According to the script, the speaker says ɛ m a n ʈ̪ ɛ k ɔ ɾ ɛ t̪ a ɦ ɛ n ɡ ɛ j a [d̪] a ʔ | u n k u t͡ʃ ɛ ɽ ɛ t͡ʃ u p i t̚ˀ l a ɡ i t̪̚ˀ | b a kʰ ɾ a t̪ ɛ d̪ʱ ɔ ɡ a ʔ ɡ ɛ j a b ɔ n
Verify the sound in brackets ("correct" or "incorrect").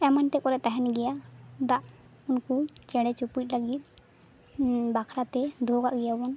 correct